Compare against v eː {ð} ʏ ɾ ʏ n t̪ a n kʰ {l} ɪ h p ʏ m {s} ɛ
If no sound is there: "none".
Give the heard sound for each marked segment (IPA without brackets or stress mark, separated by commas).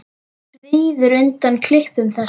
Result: ð, l, θ